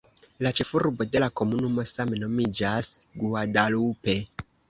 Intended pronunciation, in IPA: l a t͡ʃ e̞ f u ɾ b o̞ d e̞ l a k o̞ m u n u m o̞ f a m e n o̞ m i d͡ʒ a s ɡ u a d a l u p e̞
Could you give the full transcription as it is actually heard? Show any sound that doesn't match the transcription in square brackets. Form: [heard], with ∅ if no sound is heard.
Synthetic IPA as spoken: l a t͡ʃ e̞ f u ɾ b o̞ d e̞ l a k o̞ m u n u m o̞ [s] a m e n o̞ m i d͡ʒ a s ɡ u a d a l u p e̞